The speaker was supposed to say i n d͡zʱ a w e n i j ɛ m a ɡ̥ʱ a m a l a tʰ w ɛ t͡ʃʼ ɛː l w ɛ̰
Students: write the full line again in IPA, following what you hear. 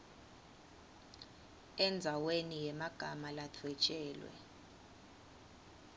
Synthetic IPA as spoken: ɛ n d͡zʱ a w e n i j ɛ m a ɡ̥ʱ a m a l a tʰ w ɛ t͡ʃʼ ɛː l w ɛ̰